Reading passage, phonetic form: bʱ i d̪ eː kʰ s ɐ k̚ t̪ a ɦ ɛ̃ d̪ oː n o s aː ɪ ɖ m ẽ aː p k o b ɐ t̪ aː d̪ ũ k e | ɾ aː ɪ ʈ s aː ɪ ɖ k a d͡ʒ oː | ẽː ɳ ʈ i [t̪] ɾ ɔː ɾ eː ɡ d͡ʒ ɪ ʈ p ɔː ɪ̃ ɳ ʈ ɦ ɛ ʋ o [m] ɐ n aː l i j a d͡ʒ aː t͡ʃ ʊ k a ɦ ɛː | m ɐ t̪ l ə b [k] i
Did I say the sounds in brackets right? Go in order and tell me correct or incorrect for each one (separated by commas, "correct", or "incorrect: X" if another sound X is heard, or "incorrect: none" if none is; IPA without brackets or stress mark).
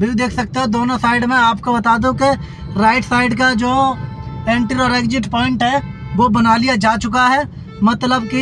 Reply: incorrect: none, incorrect: b, correct